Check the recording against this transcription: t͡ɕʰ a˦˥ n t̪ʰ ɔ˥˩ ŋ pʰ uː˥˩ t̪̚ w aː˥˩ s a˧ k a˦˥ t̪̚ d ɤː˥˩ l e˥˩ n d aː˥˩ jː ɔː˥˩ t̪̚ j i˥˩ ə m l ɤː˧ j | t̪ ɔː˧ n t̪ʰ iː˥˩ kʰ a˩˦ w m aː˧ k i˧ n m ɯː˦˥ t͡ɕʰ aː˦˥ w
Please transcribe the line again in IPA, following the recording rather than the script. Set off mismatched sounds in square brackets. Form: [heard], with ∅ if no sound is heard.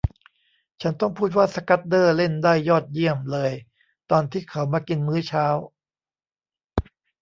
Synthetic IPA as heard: t͡ɕʰ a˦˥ n [t̪] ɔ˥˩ ŋ pʰ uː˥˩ t̪̚ w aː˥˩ s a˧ k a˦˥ t̪̚ d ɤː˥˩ l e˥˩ n d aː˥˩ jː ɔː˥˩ t̪̚ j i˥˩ ə m l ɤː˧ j | t̪ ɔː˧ n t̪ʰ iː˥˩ kʰ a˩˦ w m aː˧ k i˧ n m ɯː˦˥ t͡ɕʰ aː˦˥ w